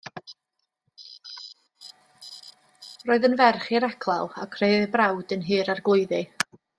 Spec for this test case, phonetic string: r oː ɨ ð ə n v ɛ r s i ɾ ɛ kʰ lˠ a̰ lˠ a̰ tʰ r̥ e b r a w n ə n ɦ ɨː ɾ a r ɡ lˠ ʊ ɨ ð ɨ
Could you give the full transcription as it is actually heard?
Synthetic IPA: r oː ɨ ð ə n v ɛ r χ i ɾ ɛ kʰ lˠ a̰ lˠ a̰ kʰ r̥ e b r a w d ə n ɦ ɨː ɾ a r ɡ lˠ ʊ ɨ ð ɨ